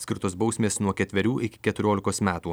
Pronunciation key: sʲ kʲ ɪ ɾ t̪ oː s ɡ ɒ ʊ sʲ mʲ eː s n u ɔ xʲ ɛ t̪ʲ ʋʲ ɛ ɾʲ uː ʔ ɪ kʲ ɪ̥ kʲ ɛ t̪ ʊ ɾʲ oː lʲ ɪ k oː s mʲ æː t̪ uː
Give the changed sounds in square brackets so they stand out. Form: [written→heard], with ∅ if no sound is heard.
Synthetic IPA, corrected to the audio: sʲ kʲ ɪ ɾ t̪ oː s [ɡ→b] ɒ ʊ sʲ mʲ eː s n u ɔ [xʲ→kʲ] ɛ t̪ʲ ʋʲ ɛ ɾʲ uː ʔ ɪ kʲ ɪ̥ kʲ ɛ t̪ ʊ ɾʲ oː lʲ ɪ k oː s mʲ æː t̪ uː